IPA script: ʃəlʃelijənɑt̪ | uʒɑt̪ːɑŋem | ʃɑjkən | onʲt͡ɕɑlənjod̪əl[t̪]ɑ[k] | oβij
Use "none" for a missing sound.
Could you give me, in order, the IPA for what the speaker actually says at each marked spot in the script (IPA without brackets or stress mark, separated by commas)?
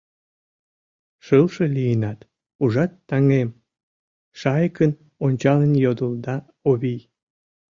d̪, none